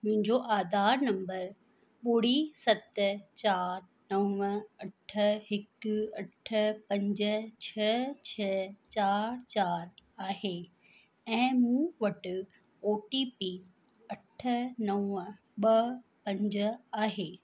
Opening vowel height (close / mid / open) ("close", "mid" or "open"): close